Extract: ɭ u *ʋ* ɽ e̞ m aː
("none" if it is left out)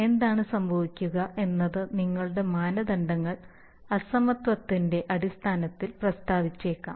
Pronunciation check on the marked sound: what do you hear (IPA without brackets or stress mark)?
none